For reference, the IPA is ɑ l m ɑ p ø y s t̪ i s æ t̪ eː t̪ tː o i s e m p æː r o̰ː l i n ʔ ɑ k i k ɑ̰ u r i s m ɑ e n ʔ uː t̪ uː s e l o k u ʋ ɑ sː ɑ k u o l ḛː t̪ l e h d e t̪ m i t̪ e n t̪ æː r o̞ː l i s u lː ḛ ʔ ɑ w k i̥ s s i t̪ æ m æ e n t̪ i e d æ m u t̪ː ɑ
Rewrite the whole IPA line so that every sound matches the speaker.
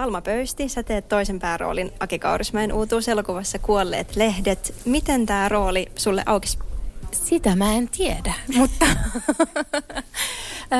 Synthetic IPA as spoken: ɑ l m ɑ p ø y s t̪ i s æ t̪ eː t̪ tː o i s e m p æː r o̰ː l i n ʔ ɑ k i k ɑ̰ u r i s m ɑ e n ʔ uː t̪ uː s e l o k u ʋ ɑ sː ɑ k u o lː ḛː t̪ l e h d e t̪ m i t̪ e n t̪ æː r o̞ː l i s u lː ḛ ʔ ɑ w k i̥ s s i t̪ æ m æ e n t̪ i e d æ m u t̪ː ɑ